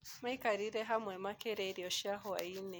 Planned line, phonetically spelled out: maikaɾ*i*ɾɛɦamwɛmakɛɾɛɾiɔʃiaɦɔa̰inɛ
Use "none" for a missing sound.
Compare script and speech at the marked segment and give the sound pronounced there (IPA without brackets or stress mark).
i